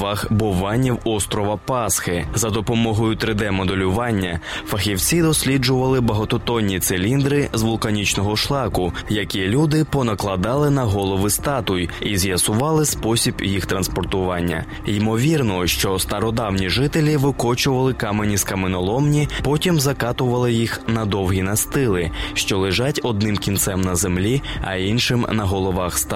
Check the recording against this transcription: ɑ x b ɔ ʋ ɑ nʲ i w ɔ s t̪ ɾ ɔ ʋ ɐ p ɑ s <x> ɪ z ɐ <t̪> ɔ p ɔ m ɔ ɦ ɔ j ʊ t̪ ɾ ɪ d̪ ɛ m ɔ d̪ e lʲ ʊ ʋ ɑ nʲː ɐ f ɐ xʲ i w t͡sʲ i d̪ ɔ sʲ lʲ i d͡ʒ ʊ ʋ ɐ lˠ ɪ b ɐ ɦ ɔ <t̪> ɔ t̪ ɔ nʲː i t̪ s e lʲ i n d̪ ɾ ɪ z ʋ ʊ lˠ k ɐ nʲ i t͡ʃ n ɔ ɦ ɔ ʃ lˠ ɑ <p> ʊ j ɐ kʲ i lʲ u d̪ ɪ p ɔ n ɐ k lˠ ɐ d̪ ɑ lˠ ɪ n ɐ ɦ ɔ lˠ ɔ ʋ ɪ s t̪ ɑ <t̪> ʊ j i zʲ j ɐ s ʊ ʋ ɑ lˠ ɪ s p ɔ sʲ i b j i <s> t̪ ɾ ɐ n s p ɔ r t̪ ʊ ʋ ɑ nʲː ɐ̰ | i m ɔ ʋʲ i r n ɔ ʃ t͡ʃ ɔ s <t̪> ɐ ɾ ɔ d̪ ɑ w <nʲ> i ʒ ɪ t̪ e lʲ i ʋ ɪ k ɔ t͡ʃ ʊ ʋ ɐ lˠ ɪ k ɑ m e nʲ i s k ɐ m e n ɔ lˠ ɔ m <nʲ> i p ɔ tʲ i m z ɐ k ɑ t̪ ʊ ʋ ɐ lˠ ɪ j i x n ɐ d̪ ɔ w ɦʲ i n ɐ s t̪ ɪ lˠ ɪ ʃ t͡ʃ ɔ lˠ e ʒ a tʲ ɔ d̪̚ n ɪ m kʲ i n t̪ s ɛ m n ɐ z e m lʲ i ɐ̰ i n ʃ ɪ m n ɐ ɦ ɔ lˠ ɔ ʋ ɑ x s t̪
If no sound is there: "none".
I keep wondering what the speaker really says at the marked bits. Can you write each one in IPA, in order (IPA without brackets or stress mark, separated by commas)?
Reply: x, d̪, t̪, k, t̪, x, t̪, nʲ, nʲ